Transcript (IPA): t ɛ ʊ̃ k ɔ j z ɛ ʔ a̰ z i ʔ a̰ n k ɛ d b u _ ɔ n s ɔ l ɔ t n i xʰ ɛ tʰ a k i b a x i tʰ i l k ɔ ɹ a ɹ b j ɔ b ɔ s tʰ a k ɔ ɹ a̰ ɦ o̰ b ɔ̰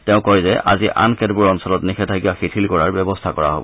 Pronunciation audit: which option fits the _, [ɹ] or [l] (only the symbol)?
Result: ɹ